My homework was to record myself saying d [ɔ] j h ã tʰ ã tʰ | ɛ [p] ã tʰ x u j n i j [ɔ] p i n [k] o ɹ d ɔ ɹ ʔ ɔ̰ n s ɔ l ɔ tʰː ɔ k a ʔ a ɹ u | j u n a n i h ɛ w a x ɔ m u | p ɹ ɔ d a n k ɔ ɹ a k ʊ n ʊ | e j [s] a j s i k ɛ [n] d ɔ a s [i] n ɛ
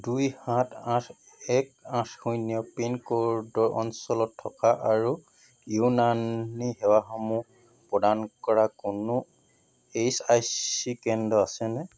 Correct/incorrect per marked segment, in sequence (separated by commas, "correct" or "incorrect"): incorrect, incorrect, correct, correct, correct, correct, incorrect